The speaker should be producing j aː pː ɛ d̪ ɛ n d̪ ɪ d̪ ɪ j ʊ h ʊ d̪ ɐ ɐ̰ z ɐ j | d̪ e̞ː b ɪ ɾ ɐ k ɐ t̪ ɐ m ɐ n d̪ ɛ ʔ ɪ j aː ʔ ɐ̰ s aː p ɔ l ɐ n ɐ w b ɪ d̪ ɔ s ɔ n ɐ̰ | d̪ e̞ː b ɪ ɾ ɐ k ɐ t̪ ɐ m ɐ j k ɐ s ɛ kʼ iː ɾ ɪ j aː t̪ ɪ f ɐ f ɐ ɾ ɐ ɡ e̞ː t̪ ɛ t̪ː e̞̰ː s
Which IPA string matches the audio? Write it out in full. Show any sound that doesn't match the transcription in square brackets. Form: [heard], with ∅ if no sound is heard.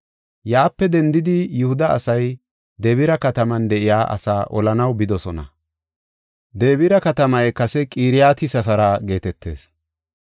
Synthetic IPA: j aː pː ɛ d̪ ɛ n d̪ ɪ d̪ ɪ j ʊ h ʊ d̪ ɐ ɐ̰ [s] ɐ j | d̪ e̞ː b ɪ ɾ ɐ k ɐ t̪ ɐ m ɐ n d̪ ɛ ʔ ɪ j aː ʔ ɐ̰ s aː [ʔ] ɔ l ɐ n ɐ w b ɪ d̪ ɔ s ɔ n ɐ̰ | d̪ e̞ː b ɪ ɾ ɐ k ɐ t̪ ɐ m ɐ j k ɐ s ɛ kʼ iː ɾ ɪ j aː t̪ ɪ [s] ɐ f ɐ ɾ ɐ ɡ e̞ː t̪ ɛ t̪ː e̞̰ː s